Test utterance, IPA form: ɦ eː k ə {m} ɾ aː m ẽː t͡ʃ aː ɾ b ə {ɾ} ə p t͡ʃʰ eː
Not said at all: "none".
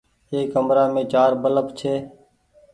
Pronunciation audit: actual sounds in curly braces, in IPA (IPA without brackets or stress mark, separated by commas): m, l